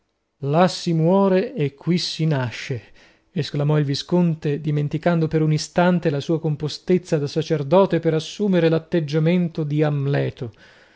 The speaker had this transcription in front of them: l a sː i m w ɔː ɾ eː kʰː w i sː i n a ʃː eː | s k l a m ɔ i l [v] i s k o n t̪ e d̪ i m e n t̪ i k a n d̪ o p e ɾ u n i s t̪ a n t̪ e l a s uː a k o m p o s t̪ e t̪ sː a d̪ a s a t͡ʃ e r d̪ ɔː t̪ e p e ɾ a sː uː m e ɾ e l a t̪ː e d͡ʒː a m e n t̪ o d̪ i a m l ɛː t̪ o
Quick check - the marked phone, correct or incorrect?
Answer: correct